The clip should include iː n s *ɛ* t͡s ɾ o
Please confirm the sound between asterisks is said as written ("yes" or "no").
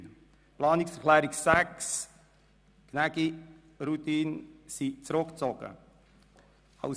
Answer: no